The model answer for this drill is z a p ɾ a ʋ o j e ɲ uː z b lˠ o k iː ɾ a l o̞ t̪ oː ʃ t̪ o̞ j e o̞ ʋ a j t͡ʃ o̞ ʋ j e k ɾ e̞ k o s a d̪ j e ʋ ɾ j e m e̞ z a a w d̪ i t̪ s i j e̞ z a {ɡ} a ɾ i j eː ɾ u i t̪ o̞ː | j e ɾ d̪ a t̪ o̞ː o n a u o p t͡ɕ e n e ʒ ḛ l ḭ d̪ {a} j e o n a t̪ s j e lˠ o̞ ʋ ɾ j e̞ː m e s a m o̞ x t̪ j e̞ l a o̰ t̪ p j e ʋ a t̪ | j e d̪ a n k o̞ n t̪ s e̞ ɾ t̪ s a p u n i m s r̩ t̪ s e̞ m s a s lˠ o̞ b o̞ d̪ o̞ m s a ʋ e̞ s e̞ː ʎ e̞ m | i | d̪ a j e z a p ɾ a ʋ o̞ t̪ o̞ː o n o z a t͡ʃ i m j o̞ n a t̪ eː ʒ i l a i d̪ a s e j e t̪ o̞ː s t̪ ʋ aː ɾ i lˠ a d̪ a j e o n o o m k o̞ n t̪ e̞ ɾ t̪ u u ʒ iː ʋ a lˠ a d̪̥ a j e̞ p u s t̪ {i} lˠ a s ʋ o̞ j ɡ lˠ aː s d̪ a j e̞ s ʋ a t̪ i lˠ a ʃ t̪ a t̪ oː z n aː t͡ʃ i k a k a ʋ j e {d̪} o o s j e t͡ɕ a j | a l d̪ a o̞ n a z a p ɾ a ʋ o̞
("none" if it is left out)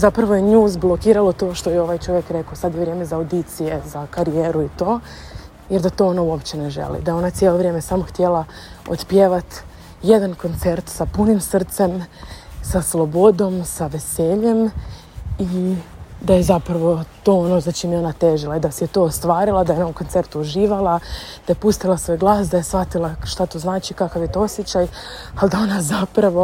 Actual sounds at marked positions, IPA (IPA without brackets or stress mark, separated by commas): k, a, i, t̪